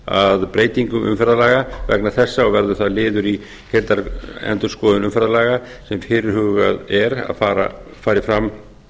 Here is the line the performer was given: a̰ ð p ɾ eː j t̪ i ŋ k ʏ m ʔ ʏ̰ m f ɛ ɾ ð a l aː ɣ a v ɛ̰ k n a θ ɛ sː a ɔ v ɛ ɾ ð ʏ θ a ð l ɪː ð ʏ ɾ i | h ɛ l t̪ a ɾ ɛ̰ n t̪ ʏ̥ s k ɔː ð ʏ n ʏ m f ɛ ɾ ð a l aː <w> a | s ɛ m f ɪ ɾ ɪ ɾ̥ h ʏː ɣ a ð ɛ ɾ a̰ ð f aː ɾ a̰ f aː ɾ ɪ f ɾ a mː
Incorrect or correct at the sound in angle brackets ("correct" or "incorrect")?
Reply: incorrect